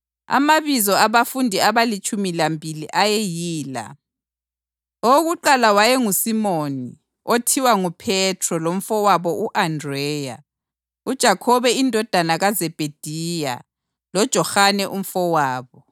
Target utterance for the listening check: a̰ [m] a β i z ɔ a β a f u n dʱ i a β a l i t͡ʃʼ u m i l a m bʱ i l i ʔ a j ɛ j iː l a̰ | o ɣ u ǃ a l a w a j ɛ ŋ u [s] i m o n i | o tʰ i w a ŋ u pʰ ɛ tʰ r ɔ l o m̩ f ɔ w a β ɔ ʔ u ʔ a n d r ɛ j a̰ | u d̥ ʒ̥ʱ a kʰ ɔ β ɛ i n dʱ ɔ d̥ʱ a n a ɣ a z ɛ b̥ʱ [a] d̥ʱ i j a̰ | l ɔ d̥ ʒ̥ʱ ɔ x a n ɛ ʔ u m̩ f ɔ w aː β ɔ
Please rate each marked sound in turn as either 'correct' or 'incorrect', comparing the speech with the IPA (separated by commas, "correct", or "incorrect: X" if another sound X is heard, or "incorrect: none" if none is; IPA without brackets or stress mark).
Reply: correct, correct, incorrect: e